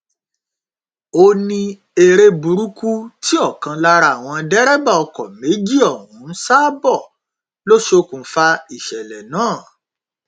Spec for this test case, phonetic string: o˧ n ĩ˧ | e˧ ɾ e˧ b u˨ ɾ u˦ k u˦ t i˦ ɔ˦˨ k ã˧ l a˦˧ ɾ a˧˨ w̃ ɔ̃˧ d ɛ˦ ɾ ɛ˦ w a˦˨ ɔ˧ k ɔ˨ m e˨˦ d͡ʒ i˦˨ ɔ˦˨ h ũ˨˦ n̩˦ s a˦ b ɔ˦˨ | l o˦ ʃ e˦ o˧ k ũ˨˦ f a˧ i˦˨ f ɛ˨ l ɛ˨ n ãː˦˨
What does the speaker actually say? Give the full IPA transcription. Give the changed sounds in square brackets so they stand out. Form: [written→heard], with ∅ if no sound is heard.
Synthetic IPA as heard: o˧ n ĩ˧ | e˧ ɾ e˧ b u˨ ɾ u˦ k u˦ t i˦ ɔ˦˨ k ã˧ l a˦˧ ɾ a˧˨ w̃ ɔ̃˧ d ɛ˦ ɾ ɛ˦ [w→b] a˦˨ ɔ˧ k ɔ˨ m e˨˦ d͡ʒ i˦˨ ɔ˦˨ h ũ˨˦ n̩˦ s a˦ b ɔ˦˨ | l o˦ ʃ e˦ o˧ k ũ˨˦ f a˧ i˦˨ [f→ʃ] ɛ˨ l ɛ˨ n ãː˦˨